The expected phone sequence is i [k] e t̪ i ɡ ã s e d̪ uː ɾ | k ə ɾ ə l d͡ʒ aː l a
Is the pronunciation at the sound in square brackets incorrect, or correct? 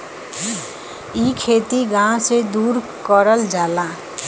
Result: incorrect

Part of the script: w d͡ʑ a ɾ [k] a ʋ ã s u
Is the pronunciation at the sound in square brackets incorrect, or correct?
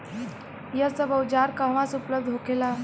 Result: correct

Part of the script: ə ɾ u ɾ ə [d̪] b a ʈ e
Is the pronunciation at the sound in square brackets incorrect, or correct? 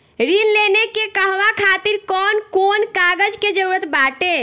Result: incorrect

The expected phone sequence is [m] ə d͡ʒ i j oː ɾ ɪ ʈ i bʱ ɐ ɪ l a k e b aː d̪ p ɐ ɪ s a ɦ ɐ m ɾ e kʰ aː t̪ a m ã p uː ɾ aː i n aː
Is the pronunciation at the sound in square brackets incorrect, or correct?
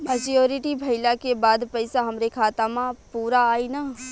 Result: correct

